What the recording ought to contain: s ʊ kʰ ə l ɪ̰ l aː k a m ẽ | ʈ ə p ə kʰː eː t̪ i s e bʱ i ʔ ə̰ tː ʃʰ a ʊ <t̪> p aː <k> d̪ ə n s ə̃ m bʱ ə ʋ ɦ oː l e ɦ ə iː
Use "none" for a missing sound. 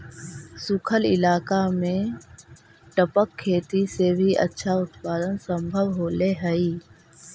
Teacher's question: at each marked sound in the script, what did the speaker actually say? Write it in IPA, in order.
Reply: t̪, none

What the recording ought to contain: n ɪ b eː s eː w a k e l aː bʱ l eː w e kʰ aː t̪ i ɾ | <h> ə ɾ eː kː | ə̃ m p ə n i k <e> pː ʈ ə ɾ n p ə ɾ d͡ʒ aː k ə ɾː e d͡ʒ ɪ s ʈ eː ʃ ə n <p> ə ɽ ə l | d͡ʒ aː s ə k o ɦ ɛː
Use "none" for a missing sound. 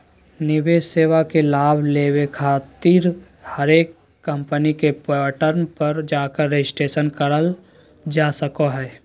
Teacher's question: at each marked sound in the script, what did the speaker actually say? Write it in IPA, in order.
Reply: h, e, k

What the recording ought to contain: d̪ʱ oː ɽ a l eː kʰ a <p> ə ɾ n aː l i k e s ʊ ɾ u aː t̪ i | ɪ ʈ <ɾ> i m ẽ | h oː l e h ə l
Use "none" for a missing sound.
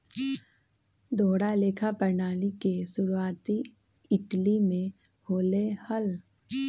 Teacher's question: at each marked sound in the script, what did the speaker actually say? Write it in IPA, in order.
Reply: p, l

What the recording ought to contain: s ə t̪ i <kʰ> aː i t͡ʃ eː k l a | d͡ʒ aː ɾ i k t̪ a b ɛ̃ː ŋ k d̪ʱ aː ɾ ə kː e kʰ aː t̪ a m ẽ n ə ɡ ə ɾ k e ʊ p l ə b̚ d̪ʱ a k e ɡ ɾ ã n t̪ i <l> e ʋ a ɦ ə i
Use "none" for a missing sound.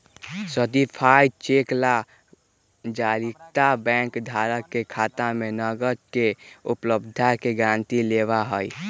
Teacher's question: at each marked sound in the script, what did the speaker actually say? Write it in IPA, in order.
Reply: pʰ, l

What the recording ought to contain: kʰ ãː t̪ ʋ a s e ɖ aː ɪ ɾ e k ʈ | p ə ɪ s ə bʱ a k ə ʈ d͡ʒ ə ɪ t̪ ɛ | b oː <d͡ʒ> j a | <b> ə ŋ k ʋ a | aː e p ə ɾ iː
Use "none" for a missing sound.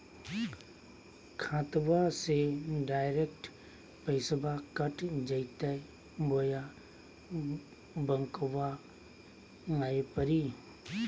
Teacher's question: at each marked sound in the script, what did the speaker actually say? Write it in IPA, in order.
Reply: none, b

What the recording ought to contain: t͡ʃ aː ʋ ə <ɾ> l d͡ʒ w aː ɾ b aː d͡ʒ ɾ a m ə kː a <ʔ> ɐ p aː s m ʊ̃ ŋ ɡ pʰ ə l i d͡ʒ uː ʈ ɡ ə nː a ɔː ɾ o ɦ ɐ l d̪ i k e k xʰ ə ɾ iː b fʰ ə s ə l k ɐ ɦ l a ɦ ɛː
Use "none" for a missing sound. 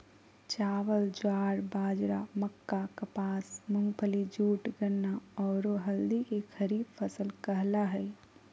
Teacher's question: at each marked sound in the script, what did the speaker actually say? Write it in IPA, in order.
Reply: none, k

